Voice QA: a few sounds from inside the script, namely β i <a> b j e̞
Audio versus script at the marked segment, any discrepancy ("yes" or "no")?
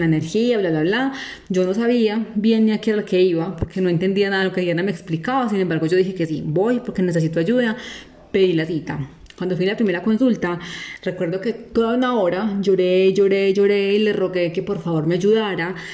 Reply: no